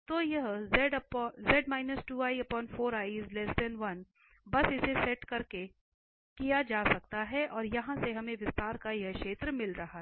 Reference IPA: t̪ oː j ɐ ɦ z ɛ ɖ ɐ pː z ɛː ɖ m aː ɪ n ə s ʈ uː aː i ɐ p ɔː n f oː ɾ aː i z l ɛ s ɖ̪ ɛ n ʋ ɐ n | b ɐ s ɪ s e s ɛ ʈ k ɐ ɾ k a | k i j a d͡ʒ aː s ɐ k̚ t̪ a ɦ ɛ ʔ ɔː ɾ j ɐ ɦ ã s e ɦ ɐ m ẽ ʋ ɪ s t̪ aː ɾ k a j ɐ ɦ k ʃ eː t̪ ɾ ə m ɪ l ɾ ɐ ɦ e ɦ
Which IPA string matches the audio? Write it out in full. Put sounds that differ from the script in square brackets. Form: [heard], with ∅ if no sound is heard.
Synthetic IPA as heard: t̪ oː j ɐ ɦ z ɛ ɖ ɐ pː z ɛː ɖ m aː ɪ n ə s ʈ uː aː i ɐ p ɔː n f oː ɾ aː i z l ɛ s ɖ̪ ɛ n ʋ ɐ n | b ɐ s ɪ s e s ɛ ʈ k ɐ ɾ k [e] | k i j a d͡ʒ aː s ɐ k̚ t̪ a ɦ ɛ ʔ ɔː ɾ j ɐ ɦ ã s e ɦ ɐ m ẽ ʋ ɪ s t̪ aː ɾ k a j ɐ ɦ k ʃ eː t̪ ɾ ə m ɪ l ɾ ɐ ɦ [a] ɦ

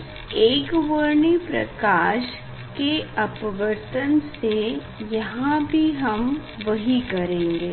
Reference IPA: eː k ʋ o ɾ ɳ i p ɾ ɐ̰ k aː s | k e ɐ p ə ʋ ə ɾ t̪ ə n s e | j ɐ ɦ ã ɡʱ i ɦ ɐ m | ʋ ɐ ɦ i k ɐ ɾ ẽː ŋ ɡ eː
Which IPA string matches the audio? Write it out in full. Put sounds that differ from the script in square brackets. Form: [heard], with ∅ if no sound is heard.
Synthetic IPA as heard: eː k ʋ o ɾ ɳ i p ɾ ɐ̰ k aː [ʃ] | k e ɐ p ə ʋ ə ɾ t̪ ə n s e | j ɐ ɦ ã [bʱ] i ɦ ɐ m | ʋ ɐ ɦ i k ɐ ɾ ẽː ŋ ɡ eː

